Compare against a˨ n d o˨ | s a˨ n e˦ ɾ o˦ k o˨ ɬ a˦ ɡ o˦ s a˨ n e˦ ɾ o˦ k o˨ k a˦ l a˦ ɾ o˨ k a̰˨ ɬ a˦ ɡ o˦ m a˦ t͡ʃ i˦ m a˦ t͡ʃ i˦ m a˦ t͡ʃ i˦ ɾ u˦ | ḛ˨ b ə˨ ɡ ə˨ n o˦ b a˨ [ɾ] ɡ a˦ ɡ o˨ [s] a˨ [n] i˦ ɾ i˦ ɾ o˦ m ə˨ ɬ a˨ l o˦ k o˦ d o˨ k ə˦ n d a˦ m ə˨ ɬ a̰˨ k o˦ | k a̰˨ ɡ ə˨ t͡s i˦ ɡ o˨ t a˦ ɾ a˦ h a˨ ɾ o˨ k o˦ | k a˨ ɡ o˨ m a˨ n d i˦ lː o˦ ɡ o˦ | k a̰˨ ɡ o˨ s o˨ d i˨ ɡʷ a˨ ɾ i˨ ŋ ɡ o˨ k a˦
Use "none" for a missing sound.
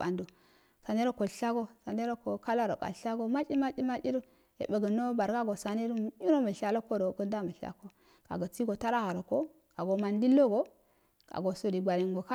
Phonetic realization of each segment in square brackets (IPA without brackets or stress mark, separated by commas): ɾ, s, n